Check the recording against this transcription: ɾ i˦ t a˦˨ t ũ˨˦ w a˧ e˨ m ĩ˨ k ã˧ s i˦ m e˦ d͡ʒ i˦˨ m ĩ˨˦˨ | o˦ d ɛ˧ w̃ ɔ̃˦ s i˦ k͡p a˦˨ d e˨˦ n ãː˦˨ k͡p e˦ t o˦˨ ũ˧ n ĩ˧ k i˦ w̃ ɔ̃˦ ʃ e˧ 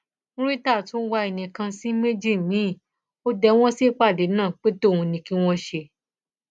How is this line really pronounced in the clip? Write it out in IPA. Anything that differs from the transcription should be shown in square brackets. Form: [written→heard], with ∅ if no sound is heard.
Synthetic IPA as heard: ɾ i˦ t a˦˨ t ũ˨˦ w a˧ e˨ [m→n] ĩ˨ k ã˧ s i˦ m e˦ d͡ʒ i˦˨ m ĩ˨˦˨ | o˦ d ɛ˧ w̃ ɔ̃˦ s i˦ k͡p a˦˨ d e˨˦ n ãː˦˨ k͡p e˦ t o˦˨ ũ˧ n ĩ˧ k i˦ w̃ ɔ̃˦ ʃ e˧